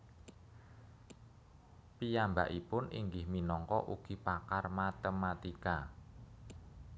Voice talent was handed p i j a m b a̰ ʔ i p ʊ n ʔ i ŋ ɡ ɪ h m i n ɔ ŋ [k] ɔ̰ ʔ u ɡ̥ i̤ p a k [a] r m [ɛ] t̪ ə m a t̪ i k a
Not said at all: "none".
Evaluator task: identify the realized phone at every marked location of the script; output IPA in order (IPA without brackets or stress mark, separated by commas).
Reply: k, a, a